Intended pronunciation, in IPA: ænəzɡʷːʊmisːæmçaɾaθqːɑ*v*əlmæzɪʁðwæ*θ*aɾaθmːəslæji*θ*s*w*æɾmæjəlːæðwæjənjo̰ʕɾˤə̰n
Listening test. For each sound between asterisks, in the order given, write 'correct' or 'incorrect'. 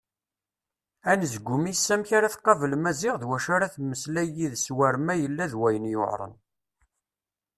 correct, incorrect, incorrect, correct

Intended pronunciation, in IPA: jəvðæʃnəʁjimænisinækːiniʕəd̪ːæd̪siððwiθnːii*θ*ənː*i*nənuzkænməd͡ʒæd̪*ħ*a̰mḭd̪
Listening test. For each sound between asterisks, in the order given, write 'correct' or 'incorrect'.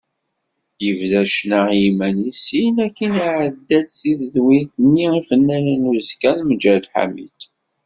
incorrect, incorrect, correct

